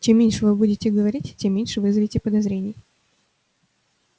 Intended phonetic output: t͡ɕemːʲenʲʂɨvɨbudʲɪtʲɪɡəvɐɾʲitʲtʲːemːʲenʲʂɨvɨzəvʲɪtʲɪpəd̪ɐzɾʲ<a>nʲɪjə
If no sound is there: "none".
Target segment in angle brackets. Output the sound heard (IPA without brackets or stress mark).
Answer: e